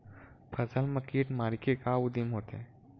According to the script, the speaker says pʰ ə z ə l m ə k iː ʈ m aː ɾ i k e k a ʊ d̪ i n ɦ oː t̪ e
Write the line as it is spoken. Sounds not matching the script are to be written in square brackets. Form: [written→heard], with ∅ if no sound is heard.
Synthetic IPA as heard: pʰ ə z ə l m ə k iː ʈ m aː ɾ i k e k a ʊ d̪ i [n→m] ɦ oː t̪ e